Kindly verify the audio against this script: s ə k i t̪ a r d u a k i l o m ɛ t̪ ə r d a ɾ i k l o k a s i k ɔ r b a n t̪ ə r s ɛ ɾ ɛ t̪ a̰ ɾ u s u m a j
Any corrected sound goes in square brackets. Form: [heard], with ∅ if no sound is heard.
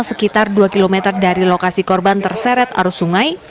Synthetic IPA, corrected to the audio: s ə k i t̪ a r d u a k i l o m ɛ t̪ ə r d a ɾ i [∅] l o k a s i k ɔ r b a n t̪ ə r s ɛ ɾ ɛ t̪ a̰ ɾ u s u [ŋ] a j